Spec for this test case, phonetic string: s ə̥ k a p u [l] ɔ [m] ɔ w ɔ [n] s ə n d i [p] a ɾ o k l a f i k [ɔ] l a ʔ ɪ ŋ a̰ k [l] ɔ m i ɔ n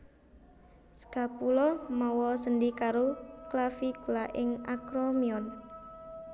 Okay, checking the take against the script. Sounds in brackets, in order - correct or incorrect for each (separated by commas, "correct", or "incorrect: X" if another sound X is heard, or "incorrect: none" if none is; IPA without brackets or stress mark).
correct, correct, incorrect: none, incorrect: k, incorrect: u, incorrect: ɾ